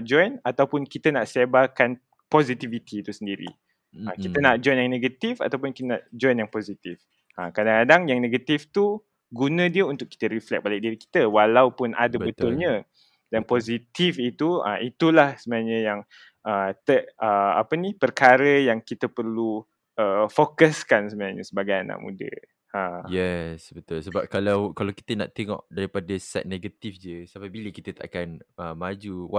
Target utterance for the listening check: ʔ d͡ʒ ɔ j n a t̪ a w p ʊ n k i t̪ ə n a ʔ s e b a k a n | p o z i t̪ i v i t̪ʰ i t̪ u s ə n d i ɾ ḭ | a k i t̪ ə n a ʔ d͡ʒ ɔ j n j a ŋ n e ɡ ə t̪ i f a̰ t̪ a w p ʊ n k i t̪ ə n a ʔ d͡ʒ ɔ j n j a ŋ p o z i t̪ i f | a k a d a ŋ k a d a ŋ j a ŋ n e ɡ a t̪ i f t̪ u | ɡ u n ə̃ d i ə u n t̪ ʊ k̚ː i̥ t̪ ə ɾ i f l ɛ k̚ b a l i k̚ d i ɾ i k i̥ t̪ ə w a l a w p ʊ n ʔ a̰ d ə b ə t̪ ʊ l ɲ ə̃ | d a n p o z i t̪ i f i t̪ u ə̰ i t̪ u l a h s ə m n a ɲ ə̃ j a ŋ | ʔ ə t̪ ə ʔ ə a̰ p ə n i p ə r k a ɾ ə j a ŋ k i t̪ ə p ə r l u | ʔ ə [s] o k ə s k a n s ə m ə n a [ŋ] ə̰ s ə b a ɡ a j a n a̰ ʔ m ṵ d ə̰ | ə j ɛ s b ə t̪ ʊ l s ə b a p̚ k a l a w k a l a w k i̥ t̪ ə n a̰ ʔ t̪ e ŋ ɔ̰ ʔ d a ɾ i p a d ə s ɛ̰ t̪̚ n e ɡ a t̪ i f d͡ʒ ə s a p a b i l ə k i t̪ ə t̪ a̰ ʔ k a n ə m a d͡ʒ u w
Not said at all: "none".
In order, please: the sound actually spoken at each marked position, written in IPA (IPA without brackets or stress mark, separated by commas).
f, ɲ